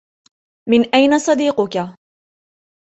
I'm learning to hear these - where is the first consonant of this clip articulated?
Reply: lips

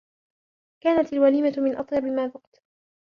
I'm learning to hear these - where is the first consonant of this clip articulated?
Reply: velum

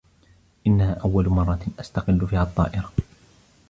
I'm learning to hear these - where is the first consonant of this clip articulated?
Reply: throat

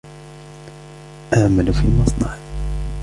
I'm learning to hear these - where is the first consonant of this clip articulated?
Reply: throat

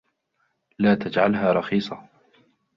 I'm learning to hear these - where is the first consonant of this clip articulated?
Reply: tongue tip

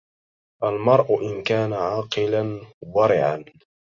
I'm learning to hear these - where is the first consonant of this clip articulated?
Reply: throat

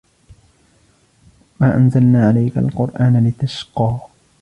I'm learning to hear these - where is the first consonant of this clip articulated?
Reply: lips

